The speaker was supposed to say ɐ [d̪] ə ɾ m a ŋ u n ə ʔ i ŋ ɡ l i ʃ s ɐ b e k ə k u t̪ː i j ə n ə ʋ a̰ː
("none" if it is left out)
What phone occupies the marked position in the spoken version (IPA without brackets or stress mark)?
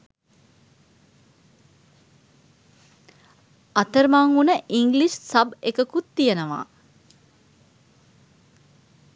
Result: t̪